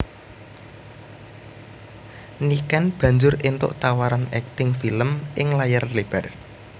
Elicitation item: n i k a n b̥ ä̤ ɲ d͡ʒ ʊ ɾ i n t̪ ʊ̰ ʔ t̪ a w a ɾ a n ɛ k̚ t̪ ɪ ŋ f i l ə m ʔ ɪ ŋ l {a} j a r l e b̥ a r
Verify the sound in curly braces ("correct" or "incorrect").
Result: correct